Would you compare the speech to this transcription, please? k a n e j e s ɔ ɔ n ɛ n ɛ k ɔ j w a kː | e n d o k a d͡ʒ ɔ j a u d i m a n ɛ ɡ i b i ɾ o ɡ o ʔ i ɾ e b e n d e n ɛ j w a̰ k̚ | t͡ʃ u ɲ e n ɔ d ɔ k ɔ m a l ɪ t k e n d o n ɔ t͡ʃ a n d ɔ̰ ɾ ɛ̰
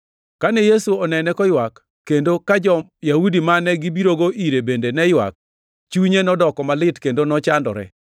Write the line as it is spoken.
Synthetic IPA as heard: k a n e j e s u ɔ n ɛ n ɛ k ɔ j w a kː | e n d o k a d͡ʒ ɔ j a u d i m a n ɛ ɡ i b i ɾ o ɡ o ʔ i ɾ e b e n d e n ɛ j w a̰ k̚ | t͡ʃ u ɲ e n ɔ d ɔ k ɔ m a l ɪ t k e n d o n ɔ t͡ʃ a n d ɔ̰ ɾ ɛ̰